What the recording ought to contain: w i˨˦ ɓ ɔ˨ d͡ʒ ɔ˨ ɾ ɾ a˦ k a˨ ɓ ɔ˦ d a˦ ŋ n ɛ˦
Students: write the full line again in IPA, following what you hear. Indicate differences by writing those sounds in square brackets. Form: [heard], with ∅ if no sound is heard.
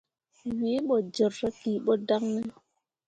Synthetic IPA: w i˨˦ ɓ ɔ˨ d͡ʒ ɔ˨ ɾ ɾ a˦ k [i˨] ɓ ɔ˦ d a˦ ŋ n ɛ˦